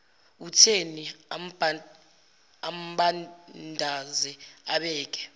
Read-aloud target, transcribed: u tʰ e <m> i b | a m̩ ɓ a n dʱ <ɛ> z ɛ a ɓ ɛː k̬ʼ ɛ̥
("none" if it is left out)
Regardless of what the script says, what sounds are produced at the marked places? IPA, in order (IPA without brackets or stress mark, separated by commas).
n, a